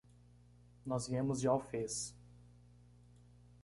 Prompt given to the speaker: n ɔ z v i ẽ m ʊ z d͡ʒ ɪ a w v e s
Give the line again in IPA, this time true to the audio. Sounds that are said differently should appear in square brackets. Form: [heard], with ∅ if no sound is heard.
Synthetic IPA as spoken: n ɔ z v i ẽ m ʊ z d͡ʒ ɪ a w [f] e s